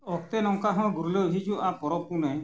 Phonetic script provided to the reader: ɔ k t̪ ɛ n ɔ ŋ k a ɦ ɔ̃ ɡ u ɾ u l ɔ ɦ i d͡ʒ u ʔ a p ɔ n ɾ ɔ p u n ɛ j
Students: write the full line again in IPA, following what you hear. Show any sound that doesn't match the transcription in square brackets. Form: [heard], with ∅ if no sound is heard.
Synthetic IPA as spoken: ɔ k t̪ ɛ n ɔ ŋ k a ɦ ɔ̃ ɡ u ɾ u l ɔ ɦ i d͡ʒ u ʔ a p ɔ [∅] ɾ ɔ p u n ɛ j